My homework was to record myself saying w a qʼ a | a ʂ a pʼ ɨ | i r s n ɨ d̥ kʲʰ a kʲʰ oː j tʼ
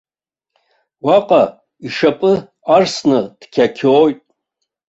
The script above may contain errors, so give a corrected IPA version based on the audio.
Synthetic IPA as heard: w a qʼ a | i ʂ a pʼ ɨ | a r s n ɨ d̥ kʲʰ a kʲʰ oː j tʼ